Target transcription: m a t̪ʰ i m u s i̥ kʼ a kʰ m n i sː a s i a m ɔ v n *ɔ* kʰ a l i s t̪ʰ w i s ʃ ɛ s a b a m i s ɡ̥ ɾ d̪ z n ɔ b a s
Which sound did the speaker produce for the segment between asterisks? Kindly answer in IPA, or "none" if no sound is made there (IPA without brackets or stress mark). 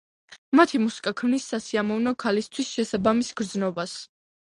ɔ